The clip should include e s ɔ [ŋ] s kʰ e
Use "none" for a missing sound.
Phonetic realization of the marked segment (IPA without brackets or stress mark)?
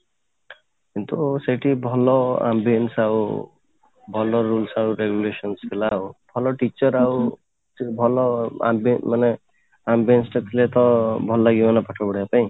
n